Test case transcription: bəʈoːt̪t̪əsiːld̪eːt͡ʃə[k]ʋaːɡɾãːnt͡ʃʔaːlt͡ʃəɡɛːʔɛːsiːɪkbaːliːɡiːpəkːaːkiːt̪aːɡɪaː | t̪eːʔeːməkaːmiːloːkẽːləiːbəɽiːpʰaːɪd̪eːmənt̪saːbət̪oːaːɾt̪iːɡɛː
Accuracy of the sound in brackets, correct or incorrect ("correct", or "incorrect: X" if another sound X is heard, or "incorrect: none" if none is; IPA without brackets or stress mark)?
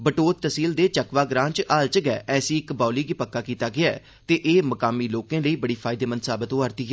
correct